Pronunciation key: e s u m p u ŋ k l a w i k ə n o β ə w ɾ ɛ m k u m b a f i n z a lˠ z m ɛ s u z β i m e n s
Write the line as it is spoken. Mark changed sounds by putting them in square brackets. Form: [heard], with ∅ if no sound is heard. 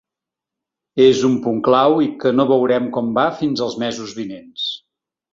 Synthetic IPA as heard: e [z] u m p u ŋ k l a w i k ə n o β ə w ɾ ɛ m k [ɔ] m b a f i n z [ə] lˠ z m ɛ [z] u z β i [n] e n s